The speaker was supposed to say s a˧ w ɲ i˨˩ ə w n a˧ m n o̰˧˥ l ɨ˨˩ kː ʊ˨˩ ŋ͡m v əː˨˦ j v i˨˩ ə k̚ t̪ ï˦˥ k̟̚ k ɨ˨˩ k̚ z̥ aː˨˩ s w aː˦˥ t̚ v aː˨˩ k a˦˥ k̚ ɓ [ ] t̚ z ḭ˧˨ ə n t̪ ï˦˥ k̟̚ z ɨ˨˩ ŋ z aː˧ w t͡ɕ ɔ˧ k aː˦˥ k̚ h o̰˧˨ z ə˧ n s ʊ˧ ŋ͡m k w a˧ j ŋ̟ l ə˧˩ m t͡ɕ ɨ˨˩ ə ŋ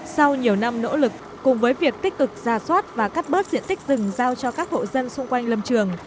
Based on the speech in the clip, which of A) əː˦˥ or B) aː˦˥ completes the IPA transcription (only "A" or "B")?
A